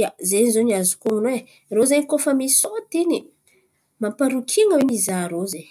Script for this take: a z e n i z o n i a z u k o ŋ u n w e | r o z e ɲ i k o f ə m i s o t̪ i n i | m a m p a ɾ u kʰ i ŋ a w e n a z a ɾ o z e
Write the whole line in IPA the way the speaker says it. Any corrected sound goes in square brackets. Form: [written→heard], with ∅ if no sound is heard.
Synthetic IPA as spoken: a z e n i z o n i a z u k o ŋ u n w e | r o z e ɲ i k o f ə m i s o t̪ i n i | m a m p a ɾ u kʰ i ŋ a w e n [a→i] z a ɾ o z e

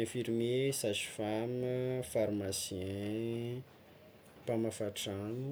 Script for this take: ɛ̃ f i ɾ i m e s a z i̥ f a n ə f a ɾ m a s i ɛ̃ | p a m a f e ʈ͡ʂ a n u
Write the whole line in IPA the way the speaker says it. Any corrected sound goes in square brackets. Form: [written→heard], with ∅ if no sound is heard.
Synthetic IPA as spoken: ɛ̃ f i ɾ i m e s a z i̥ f a [n→m] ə f a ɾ m a s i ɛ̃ | p a m a f [e→a] ʈ͡ʂ a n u

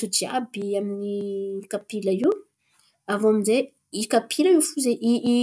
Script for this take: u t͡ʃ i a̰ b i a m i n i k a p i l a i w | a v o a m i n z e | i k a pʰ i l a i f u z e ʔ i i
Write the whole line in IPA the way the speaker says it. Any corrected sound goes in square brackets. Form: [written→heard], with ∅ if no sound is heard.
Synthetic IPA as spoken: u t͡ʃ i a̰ b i a m i n i k a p i l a i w | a v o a m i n z e | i k a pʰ i l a i f u z e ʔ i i

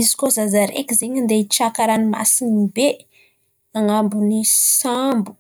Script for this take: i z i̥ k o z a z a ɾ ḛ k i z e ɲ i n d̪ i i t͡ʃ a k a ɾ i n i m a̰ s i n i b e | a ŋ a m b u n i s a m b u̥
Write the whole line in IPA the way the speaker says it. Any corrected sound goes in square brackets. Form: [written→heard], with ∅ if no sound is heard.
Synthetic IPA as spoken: i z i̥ k o z a z a ɾ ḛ k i z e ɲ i n d̪ [i→e] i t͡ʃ a k a ɾ [i→a] n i m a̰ s i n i b e | a ŋ a m b u n i s a m b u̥

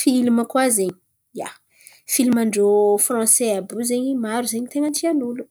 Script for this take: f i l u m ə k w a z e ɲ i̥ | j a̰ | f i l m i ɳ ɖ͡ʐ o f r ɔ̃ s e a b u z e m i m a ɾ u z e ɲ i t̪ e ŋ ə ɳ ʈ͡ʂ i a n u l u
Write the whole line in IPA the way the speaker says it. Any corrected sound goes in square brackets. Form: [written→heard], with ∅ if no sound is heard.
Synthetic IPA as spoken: f i l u m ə k w a z e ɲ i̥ | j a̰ | f i l m [i→a] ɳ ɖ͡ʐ o f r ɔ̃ s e a b u z e [m→ɲ] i m a ɾ u z e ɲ i t̪ e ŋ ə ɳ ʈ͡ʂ i a n u l u

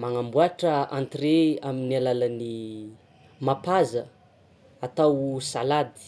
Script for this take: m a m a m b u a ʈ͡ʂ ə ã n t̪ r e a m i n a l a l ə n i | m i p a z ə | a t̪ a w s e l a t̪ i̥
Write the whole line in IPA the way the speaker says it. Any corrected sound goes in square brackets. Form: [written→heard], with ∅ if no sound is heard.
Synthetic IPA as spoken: m a [m→ŋ] a m b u a ʈ͡ʂ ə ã n t̪ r e a m i n a l a l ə n i | m [i→a] p a z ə | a t̪ a w s [e→a] l a [t̪→d̪] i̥

